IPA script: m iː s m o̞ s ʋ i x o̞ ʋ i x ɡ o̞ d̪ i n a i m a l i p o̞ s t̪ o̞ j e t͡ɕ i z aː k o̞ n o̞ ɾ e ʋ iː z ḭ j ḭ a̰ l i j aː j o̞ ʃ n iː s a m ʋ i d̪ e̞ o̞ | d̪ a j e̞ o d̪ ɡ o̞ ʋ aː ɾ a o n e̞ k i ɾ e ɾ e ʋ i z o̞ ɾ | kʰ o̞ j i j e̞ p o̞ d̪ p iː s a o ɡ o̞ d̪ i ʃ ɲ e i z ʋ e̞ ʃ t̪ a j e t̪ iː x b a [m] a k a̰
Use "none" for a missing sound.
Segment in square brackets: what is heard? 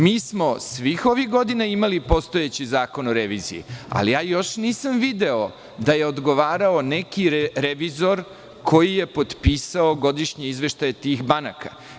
n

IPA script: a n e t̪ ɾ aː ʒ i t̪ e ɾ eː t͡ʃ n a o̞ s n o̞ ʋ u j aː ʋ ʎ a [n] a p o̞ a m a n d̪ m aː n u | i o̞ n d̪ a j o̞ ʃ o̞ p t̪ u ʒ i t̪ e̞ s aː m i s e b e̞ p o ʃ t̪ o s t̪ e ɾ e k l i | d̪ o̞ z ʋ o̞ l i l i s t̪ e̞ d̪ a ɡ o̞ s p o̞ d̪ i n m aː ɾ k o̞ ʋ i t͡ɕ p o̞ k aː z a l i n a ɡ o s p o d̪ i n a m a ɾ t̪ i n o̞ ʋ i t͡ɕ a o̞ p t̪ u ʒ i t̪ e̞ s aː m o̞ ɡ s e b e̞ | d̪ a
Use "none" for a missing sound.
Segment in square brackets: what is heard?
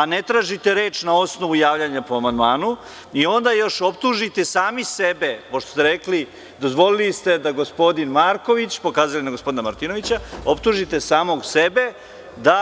ɲ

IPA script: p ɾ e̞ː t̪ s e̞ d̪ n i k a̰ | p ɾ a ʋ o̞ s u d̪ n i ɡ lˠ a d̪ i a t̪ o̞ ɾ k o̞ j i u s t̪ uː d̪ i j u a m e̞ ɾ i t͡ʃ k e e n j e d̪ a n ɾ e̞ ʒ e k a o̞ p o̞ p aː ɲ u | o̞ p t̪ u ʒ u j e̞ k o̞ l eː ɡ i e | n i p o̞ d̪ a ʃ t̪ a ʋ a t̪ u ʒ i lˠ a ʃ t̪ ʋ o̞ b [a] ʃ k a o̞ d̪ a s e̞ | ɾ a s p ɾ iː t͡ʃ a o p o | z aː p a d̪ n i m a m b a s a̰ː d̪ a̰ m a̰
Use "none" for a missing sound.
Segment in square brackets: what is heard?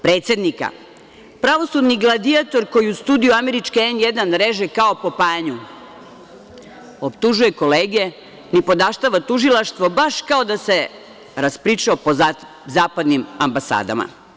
a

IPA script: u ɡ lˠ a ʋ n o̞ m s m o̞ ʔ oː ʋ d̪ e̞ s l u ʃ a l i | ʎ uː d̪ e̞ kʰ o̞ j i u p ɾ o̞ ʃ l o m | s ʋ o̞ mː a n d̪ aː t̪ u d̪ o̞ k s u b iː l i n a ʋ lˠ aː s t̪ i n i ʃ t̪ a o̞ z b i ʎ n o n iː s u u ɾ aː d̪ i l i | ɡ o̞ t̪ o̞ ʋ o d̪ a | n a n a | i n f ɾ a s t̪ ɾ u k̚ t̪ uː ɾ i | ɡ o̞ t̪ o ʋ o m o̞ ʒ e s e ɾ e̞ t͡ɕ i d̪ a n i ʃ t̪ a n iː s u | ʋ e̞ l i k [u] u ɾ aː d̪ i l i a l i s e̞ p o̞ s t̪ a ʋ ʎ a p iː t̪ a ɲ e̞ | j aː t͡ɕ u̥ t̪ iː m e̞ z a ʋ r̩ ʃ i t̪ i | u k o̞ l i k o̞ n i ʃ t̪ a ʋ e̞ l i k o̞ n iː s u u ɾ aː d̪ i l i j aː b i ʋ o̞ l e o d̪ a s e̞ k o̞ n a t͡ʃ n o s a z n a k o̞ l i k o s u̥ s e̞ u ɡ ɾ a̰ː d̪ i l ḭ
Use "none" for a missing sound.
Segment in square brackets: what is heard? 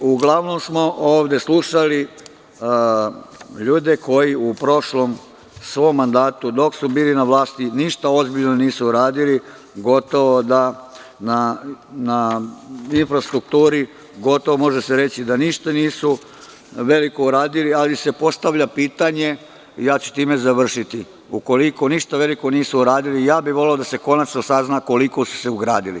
o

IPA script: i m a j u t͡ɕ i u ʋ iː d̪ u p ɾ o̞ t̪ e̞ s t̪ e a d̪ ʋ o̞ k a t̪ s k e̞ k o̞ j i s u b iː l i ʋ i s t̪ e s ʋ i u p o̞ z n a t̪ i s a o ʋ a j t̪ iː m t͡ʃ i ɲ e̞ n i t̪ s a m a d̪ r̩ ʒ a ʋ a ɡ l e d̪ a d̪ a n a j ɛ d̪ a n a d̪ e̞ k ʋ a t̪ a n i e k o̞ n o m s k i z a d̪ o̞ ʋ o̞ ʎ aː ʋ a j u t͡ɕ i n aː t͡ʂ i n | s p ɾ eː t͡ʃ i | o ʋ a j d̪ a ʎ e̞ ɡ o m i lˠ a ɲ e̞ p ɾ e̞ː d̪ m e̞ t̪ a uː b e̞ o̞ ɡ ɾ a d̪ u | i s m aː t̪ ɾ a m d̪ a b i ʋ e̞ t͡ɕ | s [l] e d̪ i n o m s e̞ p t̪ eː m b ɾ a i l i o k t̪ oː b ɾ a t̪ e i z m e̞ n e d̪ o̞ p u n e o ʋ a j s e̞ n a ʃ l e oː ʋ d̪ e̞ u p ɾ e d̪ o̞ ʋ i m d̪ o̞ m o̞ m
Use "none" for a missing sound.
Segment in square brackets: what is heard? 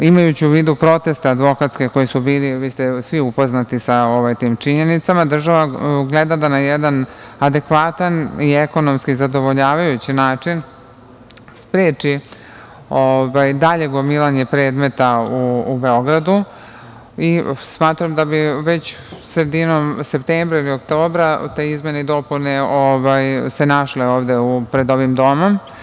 ɾ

